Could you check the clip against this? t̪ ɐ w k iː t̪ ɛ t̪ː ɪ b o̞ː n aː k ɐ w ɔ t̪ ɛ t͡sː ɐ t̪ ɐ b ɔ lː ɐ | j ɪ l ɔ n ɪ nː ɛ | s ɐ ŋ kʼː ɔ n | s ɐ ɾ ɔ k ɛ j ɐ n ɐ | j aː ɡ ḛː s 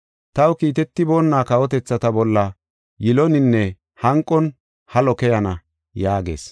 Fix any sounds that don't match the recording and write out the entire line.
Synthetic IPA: t̪ ɐ w k iː t̪ ɛ t̪ː ɪ b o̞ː nː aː k ɐ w ɔ t̪ ɛ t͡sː ɐ t̪ ɐ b ɔ lː ɐ | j ɪ l ɔ n ɪ nː ɛ | h ɐ ŋ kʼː ɔ n | h ɐ l ɔ k ɛ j ɐ n ɐ | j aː ɡ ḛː s